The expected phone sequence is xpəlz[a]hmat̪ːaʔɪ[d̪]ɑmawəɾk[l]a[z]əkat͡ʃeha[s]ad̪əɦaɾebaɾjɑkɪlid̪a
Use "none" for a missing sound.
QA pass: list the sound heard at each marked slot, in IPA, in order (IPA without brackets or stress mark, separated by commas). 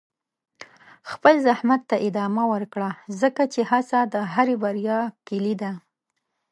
a, d̪, ɽ, z, s